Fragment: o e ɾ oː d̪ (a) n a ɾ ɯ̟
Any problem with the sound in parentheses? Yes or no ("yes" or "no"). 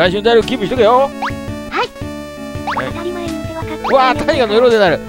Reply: yes